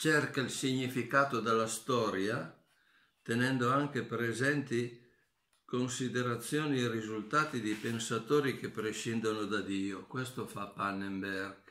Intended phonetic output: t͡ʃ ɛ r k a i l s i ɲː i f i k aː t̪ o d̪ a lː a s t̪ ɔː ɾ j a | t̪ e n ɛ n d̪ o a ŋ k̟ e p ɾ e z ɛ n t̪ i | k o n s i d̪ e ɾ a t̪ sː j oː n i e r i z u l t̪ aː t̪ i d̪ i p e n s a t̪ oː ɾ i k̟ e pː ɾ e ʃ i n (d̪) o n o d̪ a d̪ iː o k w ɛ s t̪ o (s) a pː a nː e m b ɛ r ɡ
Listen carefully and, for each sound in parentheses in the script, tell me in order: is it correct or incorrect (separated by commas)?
correct, incorrect